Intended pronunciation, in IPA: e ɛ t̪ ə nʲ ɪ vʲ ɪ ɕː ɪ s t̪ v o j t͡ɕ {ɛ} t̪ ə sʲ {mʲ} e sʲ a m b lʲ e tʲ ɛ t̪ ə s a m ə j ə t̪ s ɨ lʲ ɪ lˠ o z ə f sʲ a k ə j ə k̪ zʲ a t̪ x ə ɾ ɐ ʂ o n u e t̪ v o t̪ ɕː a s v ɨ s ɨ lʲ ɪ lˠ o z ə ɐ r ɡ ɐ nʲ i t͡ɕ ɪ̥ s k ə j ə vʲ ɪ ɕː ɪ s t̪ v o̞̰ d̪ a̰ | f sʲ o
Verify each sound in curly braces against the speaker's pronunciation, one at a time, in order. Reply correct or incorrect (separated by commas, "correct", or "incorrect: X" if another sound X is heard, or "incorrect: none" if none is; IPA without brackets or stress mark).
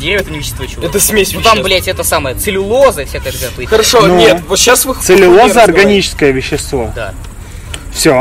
correct, correct